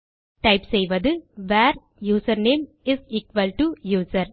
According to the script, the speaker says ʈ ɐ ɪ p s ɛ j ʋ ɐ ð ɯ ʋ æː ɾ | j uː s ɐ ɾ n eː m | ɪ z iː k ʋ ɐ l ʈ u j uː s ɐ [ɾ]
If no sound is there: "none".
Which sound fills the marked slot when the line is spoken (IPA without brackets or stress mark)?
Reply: ɾ